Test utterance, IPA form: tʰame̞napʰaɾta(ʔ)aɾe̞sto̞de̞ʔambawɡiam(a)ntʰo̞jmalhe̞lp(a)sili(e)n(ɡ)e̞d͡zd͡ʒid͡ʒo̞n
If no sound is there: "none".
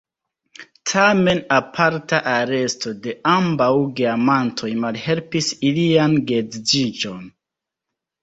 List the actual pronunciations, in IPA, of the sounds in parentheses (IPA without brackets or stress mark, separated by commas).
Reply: ʔ, a, i, a, ɡ